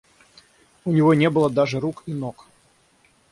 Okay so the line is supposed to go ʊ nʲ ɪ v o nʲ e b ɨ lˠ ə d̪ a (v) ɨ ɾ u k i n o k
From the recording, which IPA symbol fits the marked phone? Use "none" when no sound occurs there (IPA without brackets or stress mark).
ʐ